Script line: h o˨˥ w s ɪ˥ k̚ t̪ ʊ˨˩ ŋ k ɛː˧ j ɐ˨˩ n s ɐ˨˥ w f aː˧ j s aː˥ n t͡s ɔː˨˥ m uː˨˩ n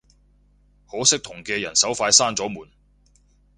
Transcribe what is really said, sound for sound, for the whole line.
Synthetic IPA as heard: h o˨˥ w s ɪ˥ k̚ t̪ʰ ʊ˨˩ ŋ k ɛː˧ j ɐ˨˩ n s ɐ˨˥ w f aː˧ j s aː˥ n t͡s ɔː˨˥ m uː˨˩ n